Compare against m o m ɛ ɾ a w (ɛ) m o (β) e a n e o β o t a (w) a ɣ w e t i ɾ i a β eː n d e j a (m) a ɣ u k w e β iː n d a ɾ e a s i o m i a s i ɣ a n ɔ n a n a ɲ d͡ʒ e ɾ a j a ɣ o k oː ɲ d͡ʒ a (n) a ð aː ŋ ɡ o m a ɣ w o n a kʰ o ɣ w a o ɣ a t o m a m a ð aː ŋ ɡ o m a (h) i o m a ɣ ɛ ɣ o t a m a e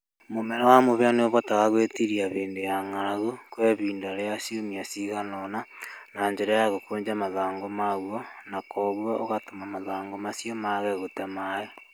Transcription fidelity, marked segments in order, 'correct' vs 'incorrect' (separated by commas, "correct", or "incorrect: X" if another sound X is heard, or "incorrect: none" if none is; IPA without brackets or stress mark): incorrect: a, correct, incorrect: ɣ, incorrect: ŋ, incorrect: m, incorrect: s